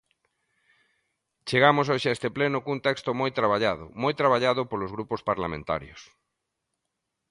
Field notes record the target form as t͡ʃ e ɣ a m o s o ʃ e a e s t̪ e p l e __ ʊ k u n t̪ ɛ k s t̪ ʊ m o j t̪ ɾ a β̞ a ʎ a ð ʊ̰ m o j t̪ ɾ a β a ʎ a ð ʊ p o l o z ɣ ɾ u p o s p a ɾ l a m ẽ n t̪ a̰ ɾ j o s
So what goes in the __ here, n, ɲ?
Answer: n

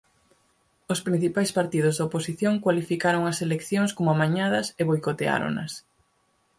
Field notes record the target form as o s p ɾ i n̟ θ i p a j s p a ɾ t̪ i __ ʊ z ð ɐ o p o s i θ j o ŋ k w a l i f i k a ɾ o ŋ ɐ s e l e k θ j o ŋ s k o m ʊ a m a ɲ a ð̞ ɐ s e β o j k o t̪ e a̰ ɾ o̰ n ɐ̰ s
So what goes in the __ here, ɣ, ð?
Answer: ð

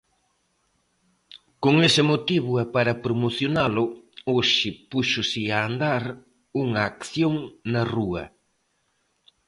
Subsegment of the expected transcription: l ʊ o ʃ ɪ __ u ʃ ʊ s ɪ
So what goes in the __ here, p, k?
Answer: p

